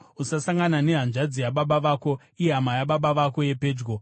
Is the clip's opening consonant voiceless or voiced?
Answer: voiceless